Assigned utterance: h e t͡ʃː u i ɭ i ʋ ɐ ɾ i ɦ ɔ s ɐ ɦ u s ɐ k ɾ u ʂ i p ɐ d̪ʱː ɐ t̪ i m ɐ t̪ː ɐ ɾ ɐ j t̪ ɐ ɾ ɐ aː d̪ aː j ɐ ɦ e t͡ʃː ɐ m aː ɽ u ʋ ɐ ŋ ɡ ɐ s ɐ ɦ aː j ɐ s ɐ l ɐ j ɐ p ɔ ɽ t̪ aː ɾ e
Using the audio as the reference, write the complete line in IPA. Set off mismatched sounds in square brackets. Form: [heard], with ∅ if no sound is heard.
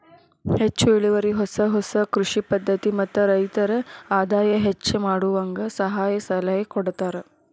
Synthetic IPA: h e t͡ʃː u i ɭ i ʋ ɐ ɾ i ɦ ɔ s ɐ ɦ [ɔ] s ɐ k ɾ u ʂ i p ɐ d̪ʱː ɐ t̪ i m ɐ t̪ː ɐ ɾ ɐ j t̪ ɐ ɾ ɐ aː d̪ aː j ɐ ɦ e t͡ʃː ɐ m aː ɽ u ʋ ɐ ŋ ɡ ɐ s ɐ ɦ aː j ɐ s ɐ l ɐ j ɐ [k] ɔ ɽ t̪ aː ɾ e